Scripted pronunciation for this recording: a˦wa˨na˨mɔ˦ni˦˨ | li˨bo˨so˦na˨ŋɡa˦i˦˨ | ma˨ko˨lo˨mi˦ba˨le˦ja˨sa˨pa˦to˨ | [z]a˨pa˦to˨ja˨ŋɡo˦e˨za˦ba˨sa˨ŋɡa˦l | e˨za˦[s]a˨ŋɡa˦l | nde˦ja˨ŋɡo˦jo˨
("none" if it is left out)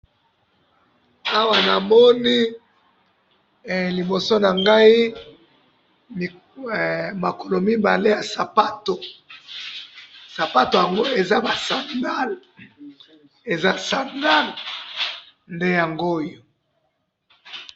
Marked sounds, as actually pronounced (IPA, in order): s, s

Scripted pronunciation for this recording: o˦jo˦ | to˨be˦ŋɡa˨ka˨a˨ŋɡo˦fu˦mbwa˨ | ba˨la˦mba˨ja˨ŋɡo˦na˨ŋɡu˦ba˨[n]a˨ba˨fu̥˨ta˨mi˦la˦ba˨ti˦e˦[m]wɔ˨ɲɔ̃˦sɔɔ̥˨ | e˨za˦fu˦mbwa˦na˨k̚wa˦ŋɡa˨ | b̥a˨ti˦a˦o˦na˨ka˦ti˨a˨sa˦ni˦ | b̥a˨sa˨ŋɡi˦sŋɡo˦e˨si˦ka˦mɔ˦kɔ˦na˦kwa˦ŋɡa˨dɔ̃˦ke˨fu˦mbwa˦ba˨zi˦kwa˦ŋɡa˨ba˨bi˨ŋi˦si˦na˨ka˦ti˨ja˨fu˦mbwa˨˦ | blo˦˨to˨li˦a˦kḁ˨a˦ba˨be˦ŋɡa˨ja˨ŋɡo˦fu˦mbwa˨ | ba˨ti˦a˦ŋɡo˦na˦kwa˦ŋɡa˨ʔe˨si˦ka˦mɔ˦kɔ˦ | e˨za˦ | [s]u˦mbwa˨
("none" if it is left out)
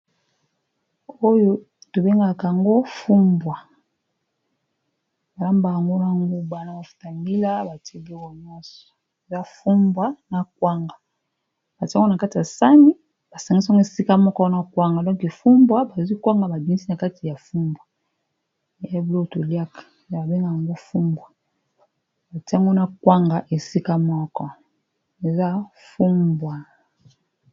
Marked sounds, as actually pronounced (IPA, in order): n, b, f

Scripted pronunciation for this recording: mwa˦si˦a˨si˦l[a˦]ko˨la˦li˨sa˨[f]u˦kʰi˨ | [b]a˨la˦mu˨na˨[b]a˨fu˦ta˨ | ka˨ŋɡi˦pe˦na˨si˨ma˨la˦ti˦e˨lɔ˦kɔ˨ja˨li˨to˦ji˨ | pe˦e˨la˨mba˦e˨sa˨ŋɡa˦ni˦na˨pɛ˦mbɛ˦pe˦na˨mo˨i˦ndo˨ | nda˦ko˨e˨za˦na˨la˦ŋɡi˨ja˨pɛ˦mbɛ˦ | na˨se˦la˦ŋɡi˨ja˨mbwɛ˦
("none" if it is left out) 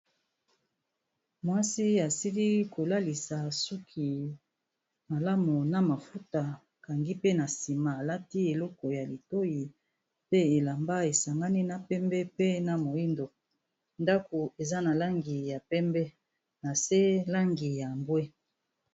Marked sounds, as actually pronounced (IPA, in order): i˦, s, m, m

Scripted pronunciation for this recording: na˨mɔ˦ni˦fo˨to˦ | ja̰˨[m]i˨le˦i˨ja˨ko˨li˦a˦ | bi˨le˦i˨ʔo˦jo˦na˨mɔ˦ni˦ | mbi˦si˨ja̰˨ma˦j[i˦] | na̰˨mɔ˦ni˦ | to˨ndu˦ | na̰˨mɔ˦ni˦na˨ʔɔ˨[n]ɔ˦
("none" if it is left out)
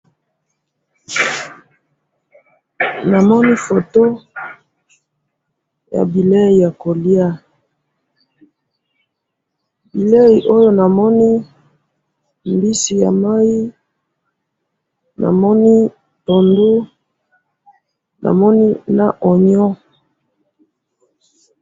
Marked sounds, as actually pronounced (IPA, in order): b, i˦, ɲ

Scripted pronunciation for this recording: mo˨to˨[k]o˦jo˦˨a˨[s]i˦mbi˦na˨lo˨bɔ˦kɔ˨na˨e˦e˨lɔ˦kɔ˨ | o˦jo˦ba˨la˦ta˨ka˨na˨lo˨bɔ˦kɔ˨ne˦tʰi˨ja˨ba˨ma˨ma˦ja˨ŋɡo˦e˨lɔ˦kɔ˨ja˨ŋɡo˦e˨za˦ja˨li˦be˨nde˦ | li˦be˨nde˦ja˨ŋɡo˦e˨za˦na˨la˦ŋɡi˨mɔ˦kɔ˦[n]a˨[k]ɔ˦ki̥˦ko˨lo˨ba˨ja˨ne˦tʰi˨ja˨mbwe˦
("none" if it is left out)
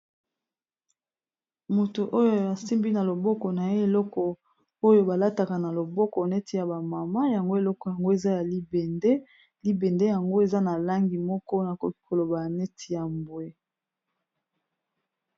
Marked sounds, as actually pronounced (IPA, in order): ʔ, s, n, k

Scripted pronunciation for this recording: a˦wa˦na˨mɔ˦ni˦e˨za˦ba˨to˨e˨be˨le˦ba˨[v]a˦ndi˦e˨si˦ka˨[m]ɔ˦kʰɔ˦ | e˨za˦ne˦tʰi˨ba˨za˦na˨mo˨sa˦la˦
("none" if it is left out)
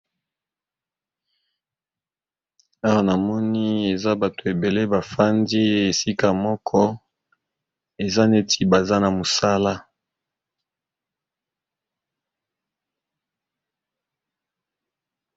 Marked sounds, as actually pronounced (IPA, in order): f, m

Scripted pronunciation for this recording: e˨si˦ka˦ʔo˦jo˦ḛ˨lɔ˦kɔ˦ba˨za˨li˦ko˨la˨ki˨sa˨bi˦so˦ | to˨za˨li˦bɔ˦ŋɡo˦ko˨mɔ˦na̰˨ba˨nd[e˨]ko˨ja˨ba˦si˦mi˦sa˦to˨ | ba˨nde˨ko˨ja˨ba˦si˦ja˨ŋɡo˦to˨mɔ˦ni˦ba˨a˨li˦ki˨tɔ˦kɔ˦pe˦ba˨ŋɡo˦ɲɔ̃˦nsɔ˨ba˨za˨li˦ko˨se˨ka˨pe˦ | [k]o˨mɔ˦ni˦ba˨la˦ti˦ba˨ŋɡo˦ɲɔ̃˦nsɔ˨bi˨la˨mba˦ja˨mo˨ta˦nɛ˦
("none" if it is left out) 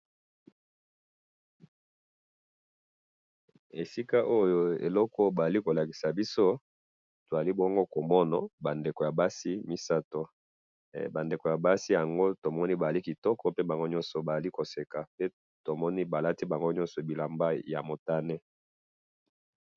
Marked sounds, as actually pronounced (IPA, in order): e˨, t

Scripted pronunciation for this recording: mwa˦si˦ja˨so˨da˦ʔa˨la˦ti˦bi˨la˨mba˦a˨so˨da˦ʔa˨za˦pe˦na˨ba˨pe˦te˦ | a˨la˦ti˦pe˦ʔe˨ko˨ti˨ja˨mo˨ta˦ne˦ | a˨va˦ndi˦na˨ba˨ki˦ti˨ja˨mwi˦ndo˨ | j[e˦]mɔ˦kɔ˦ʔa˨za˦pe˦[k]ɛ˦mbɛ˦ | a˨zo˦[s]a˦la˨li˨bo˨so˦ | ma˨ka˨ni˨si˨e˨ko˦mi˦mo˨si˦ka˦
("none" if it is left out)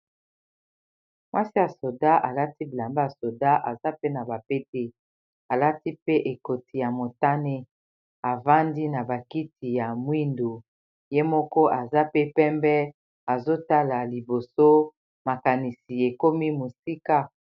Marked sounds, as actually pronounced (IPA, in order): e˦, p, t

